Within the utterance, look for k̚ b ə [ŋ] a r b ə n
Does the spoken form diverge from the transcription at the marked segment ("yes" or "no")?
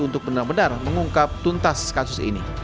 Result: yes